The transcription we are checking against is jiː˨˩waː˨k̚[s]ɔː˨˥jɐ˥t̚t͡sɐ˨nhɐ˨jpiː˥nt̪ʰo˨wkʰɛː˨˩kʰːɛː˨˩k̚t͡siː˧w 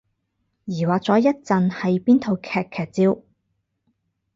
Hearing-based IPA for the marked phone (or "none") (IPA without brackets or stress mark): t͡s